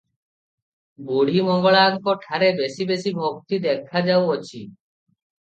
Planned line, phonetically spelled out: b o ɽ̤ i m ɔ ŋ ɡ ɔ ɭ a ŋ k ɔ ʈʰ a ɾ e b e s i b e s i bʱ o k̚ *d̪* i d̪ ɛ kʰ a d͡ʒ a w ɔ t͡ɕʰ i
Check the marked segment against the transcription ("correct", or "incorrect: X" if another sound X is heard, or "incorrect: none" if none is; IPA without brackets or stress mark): incorrect: t̪